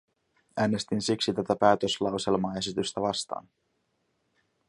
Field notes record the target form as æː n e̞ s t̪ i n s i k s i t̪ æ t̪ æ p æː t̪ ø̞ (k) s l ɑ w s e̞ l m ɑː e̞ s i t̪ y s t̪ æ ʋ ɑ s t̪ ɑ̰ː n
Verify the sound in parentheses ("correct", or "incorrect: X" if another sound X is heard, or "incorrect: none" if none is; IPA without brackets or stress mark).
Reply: incorrect: none